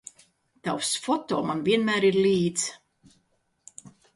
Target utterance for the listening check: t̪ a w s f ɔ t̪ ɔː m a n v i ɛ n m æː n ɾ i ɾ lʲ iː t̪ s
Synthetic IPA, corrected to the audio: t̪ a w s f ɔ t̪ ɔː m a n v i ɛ n m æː ɾ i ɾ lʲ iː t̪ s